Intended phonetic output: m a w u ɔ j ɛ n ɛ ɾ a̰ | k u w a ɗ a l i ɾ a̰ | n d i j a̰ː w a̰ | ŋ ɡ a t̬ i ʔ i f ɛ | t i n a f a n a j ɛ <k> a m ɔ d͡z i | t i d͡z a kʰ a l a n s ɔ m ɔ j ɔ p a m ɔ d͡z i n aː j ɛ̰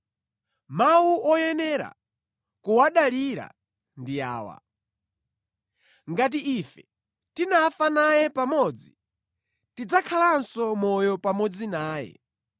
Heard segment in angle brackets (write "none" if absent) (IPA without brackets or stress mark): p